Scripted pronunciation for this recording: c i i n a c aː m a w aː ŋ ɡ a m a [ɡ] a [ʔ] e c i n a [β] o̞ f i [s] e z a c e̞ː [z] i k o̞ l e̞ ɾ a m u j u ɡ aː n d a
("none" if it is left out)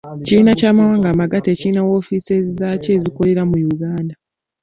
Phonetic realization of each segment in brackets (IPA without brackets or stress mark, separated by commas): ɡ, t, w, s, z